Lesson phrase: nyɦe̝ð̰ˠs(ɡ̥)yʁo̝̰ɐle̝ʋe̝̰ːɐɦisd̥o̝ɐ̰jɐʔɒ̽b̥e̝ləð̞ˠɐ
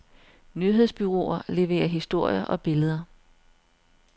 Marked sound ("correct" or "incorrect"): incorrect